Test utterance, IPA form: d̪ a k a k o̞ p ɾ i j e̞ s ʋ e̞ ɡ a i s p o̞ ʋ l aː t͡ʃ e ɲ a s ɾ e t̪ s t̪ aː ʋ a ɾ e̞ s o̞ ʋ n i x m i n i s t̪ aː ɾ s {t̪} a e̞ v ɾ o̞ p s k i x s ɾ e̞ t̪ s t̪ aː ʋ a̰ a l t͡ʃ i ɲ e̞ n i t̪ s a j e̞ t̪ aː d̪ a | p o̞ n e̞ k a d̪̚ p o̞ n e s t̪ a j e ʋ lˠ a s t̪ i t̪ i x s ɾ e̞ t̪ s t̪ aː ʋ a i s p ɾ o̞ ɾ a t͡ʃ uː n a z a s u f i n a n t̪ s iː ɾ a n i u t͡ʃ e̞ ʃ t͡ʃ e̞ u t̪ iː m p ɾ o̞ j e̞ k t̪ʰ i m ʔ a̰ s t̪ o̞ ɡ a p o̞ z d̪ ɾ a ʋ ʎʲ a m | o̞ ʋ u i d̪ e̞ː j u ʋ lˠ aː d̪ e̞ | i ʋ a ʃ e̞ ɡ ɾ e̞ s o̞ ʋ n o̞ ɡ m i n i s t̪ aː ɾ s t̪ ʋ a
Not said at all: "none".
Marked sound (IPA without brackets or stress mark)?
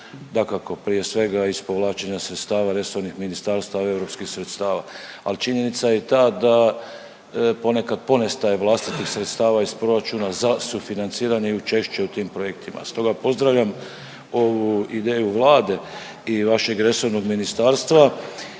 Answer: t̪